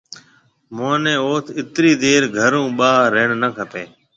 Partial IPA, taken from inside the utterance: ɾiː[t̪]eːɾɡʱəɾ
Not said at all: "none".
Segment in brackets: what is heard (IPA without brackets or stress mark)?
d̪